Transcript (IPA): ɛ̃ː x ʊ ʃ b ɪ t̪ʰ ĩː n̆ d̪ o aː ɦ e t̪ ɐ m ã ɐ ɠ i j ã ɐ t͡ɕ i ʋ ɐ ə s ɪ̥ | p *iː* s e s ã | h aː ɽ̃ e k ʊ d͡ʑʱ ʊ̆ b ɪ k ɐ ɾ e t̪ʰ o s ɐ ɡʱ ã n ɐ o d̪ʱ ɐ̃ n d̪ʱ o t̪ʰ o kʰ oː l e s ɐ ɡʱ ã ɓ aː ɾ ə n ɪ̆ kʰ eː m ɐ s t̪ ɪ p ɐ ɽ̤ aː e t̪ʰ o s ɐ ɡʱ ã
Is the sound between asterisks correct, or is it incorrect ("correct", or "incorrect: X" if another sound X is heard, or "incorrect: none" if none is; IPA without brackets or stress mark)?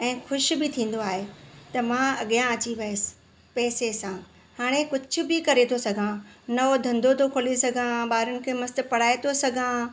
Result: incorrect: ɛː